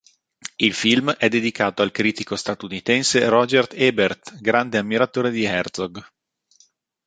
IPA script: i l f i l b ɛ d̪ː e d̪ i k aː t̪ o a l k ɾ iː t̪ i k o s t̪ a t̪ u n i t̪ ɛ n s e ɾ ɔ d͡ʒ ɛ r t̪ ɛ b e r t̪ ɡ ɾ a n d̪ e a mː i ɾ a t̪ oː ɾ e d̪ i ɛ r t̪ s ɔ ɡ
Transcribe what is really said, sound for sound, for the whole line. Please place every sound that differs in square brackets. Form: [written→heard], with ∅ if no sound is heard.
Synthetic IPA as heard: i l f i l [b→m] ɛ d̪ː e d̪ i k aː t̪ o a l k ɾ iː t̪ i k o s t̪ a t̪ u n i t̪ ɛ n s e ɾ ɔ d͡ʒ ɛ r t̪ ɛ b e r t̪ ɡ ɾ a n d̪ e a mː i ɾ a t̪ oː ɾ e d̪ i ɛ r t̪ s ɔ ɡ